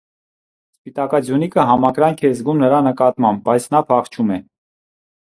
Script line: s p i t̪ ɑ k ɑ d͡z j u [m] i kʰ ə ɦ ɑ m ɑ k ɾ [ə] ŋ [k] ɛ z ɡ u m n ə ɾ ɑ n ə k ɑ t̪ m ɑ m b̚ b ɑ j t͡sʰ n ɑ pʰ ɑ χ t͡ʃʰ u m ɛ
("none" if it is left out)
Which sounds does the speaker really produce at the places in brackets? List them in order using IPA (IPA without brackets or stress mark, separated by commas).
n, ɑ, kʰ